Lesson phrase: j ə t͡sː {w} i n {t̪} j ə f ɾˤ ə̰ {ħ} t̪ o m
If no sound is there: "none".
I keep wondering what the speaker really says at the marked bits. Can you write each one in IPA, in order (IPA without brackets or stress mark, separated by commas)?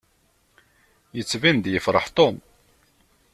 v, d̪, ħ